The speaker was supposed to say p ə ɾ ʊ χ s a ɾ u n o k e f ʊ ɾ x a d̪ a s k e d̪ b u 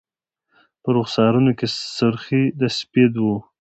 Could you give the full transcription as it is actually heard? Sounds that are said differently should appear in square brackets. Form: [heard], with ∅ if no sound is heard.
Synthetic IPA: p ə ɾ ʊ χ s [ɑ] ɾ u n o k e [s] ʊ ɾ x [i] d̪ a s [p] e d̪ [w] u